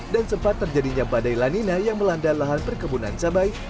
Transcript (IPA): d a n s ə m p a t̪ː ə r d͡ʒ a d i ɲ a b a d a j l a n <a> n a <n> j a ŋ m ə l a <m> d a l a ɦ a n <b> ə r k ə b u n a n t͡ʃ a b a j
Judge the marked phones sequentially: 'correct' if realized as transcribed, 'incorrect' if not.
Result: incorrect: i, incorrect: none, incorrect: n, incorrect: p

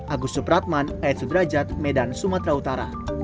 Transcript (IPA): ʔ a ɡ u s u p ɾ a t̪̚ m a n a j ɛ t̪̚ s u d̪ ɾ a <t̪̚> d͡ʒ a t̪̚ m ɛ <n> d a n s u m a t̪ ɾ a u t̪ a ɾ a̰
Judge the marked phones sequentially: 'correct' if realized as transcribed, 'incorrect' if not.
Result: incorrect: none, incorrect: none

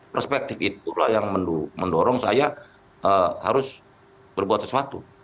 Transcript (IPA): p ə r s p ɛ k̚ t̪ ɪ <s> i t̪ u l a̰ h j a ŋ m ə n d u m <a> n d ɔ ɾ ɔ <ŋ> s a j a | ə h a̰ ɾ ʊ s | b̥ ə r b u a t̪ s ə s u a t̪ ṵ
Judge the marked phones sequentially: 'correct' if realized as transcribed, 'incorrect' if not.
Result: incorrect: f, incorrect: ə, correct

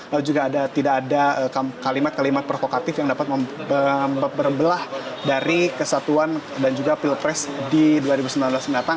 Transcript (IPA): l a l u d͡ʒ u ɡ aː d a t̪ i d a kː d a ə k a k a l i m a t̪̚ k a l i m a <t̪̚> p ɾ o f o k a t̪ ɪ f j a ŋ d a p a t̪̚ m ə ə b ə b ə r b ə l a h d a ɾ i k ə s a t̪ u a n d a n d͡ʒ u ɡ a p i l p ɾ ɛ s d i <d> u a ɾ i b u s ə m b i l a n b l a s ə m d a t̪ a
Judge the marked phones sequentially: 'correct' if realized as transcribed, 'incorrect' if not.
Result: correct, correct

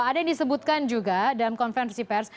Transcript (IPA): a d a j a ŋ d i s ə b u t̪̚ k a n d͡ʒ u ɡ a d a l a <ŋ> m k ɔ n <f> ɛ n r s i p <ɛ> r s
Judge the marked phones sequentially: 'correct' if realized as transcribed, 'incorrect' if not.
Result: incorrect: none, correct, correct

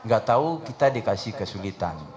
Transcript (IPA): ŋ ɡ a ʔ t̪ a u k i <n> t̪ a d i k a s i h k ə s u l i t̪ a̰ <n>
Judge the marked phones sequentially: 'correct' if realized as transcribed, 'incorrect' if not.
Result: incorrect: none, correct

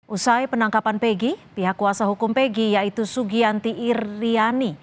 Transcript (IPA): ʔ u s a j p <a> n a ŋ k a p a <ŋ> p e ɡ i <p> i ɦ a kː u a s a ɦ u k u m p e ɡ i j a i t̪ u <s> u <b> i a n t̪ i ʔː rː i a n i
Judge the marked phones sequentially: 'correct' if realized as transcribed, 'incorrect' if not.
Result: incorrect: ə, incorrect: n, correct, correct, incorrect: ɡ

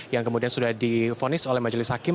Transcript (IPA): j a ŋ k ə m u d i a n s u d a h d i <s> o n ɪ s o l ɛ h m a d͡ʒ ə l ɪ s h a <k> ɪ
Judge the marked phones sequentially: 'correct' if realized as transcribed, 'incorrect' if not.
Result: incorrect: f, correct

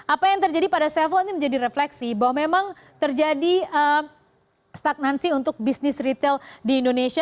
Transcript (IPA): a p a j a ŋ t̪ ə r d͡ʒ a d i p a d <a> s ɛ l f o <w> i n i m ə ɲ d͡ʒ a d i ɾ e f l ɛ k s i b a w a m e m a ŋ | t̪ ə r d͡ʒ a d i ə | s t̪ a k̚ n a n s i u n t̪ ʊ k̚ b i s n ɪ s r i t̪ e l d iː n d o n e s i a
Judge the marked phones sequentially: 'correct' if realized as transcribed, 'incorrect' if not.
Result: correct, incorrect: none

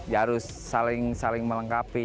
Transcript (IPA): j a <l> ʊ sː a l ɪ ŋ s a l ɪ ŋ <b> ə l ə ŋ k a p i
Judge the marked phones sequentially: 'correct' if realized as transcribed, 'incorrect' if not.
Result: incorrect: ɾ, incorrect: m

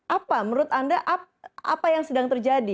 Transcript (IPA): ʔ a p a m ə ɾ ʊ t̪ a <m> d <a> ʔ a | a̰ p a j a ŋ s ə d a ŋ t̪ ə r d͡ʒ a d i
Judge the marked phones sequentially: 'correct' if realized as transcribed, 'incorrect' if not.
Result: incorrect: n, correct

